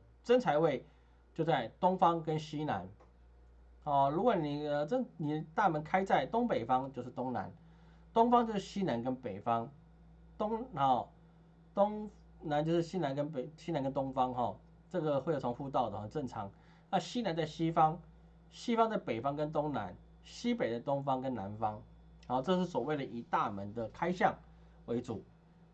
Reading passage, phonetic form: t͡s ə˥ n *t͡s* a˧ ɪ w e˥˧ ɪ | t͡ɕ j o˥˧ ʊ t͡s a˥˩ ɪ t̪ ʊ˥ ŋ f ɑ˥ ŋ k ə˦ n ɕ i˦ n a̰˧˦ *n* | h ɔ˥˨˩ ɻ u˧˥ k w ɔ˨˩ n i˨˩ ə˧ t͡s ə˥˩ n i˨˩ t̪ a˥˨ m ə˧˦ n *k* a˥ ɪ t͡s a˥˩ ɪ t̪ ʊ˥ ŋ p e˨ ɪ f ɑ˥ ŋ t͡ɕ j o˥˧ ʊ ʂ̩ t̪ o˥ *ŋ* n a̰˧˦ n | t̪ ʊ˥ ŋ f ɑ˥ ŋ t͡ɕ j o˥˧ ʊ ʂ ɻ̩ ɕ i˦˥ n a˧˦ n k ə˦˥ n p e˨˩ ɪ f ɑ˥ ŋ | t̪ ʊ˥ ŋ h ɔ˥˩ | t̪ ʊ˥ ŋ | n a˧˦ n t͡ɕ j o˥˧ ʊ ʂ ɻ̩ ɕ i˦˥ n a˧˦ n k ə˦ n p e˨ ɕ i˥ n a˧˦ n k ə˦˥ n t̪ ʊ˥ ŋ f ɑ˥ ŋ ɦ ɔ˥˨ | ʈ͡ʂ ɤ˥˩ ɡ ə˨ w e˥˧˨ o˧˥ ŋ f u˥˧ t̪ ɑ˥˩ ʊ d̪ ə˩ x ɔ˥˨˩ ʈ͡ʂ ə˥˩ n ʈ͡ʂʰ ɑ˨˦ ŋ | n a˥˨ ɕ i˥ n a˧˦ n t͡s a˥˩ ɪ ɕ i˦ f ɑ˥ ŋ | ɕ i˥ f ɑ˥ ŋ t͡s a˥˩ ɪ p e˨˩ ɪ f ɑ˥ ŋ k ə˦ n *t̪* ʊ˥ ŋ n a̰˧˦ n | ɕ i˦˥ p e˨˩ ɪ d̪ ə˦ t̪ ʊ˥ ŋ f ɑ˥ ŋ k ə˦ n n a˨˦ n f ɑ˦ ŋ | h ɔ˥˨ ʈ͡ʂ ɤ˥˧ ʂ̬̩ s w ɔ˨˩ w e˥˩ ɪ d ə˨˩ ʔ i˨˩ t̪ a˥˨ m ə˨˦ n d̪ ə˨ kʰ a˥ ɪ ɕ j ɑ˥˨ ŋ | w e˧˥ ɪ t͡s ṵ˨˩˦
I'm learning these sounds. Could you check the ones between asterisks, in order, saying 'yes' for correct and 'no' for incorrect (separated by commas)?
no, yes, no, yes, yes